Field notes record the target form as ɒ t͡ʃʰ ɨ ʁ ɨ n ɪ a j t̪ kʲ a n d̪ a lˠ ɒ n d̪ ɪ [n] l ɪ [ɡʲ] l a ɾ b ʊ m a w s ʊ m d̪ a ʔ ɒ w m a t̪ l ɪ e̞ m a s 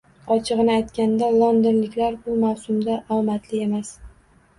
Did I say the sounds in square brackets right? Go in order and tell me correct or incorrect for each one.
correct, incorrect

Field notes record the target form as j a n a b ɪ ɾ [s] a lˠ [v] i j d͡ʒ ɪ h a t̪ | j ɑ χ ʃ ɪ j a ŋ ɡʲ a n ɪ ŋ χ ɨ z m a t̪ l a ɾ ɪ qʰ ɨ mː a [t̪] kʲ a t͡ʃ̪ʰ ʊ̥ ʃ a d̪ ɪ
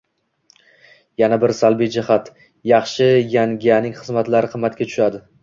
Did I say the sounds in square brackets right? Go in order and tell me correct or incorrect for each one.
correct, incorrect, correct

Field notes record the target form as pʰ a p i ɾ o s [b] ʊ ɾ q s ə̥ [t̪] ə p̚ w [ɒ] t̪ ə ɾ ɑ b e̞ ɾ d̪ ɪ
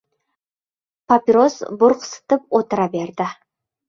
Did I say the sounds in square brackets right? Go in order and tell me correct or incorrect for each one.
correct, correct, incorrect

